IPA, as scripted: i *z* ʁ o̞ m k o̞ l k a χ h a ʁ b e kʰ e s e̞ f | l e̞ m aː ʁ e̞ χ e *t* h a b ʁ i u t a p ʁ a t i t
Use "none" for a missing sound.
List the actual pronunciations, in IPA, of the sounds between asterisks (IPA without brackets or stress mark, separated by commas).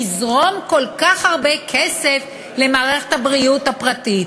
z, t